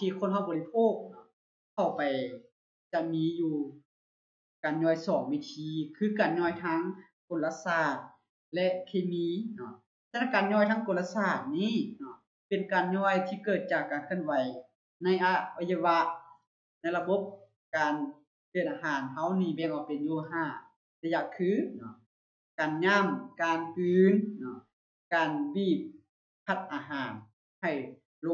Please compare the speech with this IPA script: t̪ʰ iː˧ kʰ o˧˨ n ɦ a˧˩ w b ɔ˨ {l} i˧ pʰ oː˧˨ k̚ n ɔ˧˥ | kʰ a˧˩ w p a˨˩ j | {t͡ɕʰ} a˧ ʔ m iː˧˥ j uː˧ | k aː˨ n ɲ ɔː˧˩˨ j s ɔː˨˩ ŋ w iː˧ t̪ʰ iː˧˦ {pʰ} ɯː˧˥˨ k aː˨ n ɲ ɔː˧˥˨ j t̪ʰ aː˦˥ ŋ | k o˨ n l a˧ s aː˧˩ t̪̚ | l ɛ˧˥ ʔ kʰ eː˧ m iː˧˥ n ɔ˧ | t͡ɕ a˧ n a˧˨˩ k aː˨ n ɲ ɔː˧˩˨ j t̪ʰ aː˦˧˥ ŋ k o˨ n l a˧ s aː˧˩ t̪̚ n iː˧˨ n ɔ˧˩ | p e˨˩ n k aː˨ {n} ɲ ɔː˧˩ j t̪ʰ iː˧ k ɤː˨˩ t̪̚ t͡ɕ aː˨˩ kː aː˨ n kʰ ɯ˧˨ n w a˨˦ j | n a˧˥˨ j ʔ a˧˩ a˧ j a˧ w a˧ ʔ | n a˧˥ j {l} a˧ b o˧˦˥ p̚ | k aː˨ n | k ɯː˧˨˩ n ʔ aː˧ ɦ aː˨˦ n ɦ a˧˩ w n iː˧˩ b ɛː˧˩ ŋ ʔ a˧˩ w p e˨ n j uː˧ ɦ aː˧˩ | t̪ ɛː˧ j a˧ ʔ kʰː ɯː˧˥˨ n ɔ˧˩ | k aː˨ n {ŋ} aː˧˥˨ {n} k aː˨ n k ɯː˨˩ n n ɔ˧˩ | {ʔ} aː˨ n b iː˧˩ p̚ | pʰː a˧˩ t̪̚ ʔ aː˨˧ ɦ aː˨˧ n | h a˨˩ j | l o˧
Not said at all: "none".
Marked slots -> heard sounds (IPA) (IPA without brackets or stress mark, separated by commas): l, t͡ɕ, kʰ, n, l, ɲ, m, k